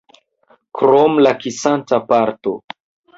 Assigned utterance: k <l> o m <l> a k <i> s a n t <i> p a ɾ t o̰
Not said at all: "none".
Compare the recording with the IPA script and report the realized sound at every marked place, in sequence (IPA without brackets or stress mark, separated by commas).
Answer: ɾ, l, i, a